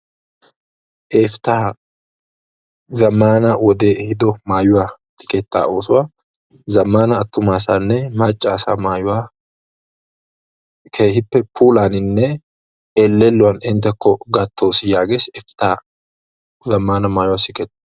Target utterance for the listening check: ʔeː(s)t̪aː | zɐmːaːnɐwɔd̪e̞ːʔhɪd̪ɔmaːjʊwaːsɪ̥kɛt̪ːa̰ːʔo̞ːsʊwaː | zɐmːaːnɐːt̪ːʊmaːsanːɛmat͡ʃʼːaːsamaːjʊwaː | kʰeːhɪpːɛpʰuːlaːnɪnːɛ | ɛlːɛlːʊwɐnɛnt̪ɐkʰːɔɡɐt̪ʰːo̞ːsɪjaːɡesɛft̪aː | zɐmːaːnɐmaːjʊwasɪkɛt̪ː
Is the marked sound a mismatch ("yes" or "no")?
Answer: yes